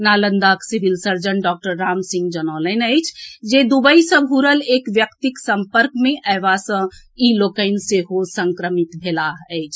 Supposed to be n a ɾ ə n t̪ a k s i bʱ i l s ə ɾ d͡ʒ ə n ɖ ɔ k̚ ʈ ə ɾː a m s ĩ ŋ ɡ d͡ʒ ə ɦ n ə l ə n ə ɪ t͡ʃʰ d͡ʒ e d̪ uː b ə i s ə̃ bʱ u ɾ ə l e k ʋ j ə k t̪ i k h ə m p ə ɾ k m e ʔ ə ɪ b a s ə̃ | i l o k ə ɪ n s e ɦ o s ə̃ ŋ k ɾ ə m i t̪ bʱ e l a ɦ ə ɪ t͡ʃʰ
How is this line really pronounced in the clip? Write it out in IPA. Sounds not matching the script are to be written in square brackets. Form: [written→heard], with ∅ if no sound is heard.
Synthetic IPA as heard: n a [ɾ→l] ə n [t̪→d̪] a k s i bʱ i l s ə ɾ d͡ʒ ə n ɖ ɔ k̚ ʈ ə ɾː a m s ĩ ŋ ɡ d͡ʒ ə [ɦ→∅] n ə l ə n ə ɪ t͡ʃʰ d͡ʒ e d̪ [uː→u] b ə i s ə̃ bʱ u ɾ ə l e k ʋ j ə k t̪ i k [h→s] ə m p ə ɾ k m e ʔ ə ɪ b a s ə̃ | i l o k ə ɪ n s e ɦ o s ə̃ ŋ k ɾ ə m i t̪ bʱ e l a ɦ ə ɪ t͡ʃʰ

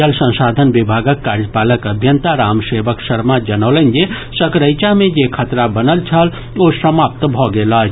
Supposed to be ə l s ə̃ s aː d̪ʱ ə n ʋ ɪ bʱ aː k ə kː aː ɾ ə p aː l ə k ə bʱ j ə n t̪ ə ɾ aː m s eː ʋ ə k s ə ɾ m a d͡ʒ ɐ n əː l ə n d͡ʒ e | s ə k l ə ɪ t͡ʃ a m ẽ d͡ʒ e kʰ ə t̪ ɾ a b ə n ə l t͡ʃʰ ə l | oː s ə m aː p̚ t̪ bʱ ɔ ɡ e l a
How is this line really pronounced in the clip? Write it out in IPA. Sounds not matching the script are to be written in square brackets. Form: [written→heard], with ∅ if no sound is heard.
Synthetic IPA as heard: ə l s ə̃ s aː d̪ʱ ə n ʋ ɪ bʱ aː [k→ɡ] ə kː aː ɾ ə p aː l ə k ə bʱ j ə n t̪ [ə→a] ɾ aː m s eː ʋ ə k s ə ɾ m a d͡ʒ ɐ n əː l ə n d͡ʒ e | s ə k [l→ɾ] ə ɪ t͡ʃ a m ẽ d͡ʒ e kʰ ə t̪ ɾ a b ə n ə l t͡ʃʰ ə l | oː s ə m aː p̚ t̪ bʱ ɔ ɡ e l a

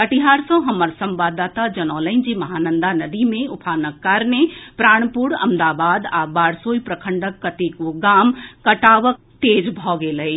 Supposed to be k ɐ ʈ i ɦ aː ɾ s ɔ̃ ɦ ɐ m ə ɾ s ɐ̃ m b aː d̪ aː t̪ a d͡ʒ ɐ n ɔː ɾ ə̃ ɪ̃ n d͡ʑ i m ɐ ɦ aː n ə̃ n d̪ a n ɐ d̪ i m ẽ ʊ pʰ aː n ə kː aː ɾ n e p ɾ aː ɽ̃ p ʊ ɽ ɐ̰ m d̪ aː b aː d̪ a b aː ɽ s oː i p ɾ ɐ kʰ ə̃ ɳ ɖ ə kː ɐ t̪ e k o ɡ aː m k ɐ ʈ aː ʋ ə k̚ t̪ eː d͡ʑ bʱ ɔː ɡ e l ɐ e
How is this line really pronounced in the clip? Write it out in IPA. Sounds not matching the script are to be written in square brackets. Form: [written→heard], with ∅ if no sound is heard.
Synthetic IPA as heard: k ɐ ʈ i ɦ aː ɾ s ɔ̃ ɦ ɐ m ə ɾ s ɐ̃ m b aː d̪ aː t̪ a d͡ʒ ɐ n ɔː [ɾ→l] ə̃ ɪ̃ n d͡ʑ i m ɐ ɦ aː n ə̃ n d̪ a n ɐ d̪ i m ẽ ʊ pʰ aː n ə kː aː ɾ n e p ɾ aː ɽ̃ p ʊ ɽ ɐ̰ m d̪ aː b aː d̪ a b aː ɽ s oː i p ɾ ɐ kʰ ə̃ ɳ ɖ ə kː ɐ t̪ e k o ɡ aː m k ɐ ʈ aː ʋ ə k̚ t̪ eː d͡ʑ bʱ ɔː ɡ e l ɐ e

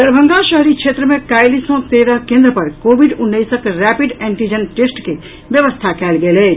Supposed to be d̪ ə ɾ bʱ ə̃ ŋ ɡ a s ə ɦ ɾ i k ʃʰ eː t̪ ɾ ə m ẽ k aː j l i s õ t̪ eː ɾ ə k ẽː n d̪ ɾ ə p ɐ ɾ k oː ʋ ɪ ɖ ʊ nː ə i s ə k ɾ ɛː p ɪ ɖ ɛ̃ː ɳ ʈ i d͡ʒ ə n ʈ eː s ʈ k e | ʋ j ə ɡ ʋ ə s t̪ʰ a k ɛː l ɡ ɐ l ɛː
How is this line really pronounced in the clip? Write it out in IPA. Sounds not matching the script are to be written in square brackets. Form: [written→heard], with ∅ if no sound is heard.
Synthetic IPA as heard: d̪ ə ɾ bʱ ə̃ ŋ ɡ a [s→ʃ] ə ɦ ɾ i k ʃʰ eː t̪ ɾ ə m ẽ k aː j l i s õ t̪ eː ɾ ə k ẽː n d̪ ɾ ə p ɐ ɾ k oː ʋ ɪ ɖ ʊ nː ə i s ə k ɾ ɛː p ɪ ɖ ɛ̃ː ɳ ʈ i d͡ʒ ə n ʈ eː s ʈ k e | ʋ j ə [ɡ→∅] ʋ ə s t̪ʰ a k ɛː l ɡ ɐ l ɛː

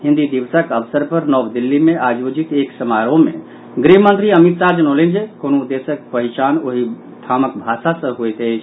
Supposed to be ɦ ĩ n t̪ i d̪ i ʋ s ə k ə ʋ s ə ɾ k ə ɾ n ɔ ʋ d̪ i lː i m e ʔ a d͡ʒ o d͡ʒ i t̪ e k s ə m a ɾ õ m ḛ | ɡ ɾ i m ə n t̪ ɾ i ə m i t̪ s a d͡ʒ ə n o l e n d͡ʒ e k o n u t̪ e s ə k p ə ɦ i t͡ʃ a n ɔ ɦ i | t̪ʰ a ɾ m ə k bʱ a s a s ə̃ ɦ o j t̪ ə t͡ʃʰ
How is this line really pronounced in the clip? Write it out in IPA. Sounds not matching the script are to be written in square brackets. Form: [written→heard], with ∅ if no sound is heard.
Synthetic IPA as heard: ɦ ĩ n [t̪→d̪] i d̪ i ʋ s ə k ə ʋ s ə ɾ [k→p] ə ɾ n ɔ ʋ d̪ i lː i m e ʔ a d͡ʒ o d͡ʒ i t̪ e k s ə m a ɾ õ m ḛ | ɡ ɾ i m ə n t̪ ɾ i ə m i t̪ s a d͡ʒ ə n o l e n d͡ʒ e k o n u [t̪→d̪] e s ə k p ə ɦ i t͡ʃ a n [ɔ→o] ɦ i | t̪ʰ a [ɾ→∅] m ə k bʱ a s a s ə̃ ɦ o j t̪ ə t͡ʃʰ

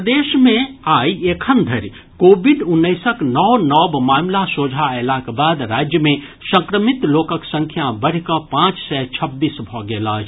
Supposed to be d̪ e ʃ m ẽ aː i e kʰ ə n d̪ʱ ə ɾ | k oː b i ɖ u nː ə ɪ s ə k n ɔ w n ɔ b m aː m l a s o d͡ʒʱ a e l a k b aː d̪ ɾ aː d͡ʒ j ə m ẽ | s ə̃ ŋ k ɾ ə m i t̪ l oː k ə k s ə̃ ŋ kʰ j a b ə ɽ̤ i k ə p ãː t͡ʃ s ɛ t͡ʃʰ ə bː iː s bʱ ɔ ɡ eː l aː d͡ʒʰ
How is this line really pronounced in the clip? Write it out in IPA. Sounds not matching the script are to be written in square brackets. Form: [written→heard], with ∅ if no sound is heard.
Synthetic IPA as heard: d̪ e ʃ m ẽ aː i e kʰ ə n d̪ʱ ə ɾ | k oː b i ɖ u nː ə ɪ s ə k n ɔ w n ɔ b m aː m l a s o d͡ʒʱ a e l a k b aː d̪ ɾ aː d͡ʒ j ə m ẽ | s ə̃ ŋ k ɾ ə m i t̪ l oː k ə k s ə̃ ŋ kʰ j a b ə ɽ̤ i k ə p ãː t͡ʃ s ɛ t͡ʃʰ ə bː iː s bʱ ɔ ɡ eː l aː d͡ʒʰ

